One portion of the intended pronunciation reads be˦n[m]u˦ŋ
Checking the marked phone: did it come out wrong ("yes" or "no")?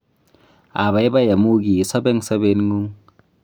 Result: yes